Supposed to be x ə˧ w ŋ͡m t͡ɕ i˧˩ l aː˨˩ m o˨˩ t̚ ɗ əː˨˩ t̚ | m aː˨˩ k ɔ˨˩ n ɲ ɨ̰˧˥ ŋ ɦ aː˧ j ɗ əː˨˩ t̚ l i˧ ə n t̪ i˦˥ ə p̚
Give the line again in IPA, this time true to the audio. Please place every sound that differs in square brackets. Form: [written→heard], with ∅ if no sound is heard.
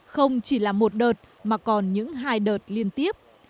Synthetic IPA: x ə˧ w ŋ͡m t͡ɕ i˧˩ l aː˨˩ m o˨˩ t̚ ɗ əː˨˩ t̚ | m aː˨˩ k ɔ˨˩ n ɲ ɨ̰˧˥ ŋ ɦ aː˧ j ɗ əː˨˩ t̚ l i˧ ə n t̪ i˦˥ ə p̚